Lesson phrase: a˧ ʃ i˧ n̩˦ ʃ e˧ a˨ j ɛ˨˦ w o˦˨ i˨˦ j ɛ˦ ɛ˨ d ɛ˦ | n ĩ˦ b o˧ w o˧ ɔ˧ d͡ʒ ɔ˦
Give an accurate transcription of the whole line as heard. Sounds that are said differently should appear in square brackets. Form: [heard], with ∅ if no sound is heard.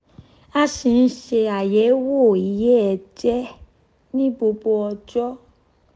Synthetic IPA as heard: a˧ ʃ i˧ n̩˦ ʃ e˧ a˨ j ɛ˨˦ w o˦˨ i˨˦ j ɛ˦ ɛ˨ [d͡ʒ] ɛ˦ | n ĩ˦ b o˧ [b] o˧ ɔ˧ d͡ʒ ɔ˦